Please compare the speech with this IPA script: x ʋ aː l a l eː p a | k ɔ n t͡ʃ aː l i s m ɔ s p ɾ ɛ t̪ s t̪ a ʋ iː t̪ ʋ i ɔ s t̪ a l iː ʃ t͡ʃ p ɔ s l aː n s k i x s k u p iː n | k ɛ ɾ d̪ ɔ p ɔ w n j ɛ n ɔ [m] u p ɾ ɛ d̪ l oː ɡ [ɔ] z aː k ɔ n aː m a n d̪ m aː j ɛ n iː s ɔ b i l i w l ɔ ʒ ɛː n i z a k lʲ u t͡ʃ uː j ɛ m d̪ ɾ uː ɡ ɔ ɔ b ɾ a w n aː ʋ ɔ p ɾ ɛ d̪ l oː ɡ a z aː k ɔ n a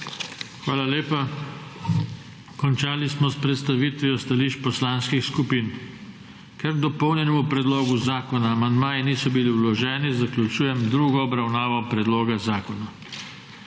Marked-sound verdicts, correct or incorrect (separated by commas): correct, incorrect